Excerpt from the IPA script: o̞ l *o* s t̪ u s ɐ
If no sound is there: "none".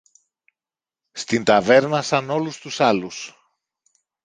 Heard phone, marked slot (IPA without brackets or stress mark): u